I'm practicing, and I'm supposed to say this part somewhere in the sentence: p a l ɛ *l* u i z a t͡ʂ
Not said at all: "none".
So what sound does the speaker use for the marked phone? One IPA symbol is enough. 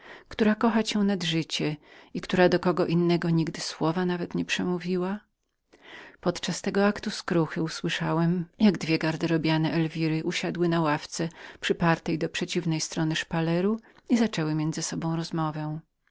ɾ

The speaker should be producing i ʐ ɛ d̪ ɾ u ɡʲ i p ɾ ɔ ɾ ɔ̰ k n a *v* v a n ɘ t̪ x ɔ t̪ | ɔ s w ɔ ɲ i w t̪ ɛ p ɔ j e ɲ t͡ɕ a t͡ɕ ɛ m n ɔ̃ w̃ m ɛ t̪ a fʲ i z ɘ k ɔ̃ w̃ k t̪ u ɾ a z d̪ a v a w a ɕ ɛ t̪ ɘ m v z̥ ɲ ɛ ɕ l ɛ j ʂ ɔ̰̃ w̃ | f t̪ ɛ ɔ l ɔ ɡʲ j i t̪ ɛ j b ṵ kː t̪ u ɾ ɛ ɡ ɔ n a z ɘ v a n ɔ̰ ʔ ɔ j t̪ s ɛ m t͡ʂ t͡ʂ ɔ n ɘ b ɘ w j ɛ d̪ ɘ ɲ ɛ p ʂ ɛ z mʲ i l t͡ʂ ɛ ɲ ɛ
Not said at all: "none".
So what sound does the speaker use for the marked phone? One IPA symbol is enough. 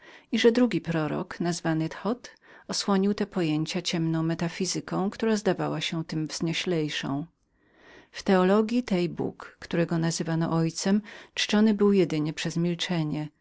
z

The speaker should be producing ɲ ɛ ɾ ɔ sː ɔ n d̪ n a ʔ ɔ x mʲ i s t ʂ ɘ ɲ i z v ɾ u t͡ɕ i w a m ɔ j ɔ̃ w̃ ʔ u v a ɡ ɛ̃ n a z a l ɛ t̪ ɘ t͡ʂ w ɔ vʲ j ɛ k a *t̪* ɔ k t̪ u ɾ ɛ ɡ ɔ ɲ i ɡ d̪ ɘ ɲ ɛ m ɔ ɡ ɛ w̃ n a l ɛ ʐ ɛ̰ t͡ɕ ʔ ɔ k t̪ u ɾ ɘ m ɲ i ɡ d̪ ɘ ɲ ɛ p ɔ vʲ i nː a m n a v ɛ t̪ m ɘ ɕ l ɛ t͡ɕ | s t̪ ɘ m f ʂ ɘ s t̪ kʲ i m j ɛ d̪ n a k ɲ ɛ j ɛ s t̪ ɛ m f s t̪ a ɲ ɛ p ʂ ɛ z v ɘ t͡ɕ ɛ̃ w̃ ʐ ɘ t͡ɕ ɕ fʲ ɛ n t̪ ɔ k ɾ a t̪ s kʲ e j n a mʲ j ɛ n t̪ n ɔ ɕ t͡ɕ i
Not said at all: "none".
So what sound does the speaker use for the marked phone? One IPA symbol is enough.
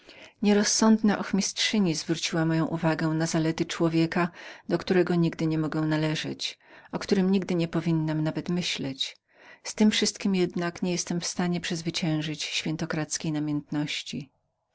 d̪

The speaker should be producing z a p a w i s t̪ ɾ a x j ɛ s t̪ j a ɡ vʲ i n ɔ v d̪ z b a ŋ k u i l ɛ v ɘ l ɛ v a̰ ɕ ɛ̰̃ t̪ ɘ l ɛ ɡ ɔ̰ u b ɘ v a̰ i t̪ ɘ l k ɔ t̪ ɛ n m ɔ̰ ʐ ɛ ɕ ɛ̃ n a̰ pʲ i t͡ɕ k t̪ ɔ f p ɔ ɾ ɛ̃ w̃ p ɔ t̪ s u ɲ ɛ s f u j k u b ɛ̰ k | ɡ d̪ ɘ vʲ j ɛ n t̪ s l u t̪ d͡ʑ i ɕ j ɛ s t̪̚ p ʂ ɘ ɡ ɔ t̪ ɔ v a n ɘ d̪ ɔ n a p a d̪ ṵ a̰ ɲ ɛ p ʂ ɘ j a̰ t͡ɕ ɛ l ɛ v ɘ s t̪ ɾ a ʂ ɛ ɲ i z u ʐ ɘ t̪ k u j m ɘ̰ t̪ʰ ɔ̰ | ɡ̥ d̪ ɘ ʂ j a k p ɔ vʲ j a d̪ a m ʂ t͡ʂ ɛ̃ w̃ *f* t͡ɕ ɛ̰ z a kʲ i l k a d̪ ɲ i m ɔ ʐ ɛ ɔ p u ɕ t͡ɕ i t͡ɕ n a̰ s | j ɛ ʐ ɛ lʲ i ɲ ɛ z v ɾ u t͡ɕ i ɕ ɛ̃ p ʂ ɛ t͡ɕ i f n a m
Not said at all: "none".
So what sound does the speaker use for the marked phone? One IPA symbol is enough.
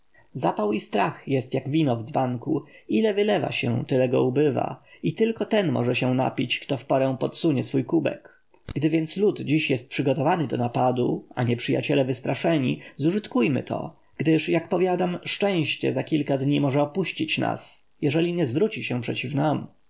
ɕ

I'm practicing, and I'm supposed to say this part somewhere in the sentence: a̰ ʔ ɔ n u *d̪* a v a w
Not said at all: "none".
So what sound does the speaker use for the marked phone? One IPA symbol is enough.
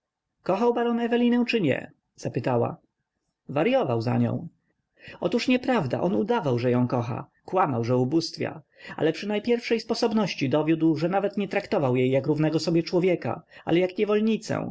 d̪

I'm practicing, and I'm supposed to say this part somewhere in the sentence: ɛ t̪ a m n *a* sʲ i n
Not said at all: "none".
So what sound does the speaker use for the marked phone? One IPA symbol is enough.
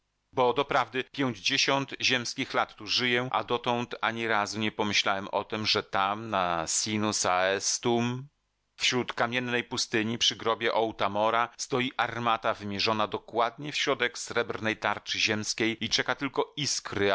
a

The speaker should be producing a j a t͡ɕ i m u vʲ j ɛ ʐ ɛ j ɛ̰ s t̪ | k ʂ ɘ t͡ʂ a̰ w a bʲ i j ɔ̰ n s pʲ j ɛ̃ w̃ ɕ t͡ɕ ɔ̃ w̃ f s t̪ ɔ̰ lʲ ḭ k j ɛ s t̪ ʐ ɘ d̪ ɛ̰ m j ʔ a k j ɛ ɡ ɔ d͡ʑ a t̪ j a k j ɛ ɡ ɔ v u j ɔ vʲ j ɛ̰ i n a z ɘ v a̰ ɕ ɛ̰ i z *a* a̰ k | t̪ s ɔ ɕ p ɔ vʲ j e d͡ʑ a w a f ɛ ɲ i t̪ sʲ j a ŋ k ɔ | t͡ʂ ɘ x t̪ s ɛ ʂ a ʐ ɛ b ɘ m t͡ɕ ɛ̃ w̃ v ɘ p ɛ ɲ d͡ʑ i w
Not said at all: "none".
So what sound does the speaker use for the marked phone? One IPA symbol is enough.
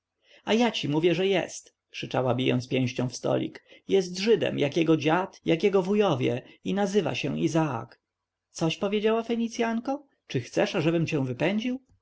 a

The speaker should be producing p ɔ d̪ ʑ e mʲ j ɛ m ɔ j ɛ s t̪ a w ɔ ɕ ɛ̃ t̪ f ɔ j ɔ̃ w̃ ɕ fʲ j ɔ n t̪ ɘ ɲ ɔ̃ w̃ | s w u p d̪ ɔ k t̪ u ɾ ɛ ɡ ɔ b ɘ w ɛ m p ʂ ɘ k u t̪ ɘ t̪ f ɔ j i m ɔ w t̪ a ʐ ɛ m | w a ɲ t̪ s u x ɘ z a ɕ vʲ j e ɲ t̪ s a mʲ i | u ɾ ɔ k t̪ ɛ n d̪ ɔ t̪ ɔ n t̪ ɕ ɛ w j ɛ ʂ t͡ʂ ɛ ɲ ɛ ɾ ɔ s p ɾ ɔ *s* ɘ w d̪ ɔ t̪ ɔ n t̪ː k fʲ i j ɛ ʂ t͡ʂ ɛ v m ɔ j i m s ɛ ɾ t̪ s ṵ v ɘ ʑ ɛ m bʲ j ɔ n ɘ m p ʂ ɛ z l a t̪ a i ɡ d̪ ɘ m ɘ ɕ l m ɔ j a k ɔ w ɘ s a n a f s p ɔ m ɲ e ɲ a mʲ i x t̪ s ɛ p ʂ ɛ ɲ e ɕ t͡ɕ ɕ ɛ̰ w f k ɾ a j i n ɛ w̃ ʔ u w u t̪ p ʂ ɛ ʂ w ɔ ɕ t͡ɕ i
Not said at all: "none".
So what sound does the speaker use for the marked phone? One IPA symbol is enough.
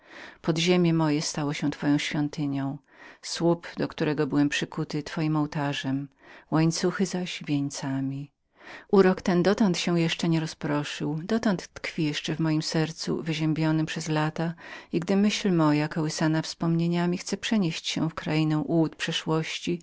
ʂ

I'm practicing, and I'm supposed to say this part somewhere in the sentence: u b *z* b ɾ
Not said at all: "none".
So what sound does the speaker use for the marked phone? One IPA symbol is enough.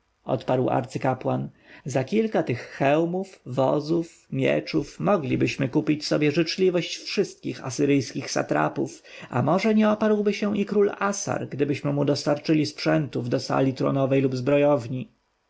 z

